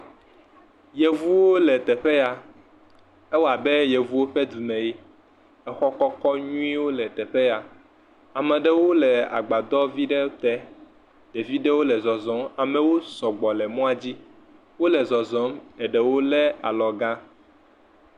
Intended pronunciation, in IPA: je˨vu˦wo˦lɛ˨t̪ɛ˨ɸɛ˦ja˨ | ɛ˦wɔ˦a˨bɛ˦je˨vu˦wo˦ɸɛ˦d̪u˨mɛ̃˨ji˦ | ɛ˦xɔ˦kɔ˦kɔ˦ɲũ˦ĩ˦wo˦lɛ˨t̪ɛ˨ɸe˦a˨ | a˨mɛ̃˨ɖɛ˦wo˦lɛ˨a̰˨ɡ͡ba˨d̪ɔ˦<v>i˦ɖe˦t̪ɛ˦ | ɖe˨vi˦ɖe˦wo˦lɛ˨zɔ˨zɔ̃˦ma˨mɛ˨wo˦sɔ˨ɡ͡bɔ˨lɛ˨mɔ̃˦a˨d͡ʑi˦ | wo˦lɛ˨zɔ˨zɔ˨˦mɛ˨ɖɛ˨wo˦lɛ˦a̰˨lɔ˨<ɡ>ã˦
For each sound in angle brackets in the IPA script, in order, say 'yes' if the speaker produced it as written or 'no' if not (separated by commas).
yes, yes